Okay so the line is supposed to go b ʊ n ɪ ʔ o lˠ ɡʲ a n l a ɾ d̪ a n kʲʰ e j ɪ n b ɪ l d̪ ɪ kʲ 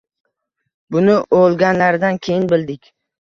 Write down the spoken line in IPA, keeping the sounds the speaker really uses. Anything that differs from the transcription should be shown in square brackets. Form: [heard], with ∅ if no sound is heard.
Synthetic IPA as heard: b ʊ n ɪ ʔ o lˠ ɡʲ a n l a ɾ d̪ a n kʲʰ e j ɪ n b ɪ l d̪ ɪ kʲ